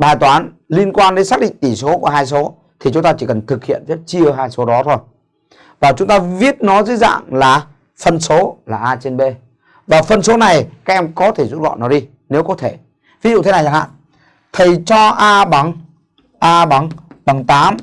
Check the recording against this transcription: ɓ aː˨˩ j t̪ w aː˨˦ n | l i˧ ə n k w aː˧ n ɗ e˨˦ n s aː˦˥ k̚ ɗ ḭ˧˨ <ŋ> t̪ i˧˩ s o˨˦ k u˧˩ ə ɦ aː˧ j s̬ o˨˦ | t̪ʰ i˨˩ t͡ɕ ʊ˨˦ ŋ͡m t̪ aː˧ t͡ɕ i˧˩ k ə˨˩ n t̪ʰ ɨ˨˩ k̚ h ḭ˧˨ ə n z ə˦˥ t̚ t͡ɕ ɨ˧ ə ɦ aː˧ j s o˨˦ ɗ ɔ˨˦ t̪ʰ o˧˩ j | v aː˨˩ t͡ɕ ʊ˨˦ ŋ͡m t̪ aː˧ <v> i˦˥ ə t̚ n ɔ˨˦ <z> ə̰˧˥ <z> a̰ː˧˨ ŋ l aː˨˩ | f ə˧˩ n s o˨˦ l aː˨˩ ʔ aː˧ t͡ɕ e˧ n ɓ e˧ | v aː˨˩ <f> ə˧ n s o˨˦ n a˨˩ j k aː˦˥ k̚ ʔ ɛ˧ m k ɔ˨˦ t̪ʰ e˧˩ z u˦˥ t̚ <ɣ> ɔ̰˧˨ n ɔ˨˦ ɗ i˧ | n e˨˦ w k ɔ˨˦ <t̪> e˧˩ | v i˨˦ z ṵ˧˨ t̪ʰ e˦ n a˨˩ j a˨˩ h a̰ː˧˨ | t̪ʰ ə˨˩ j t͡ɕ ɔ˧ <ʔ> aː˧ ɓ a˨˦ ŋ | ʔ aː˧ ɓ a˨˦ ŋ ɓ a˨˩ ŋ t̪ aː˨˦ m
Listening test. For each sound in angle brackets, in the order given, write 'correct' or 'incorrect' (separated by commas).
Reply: correct, correct, correct, correct, correct, incorrect, incorrect, correct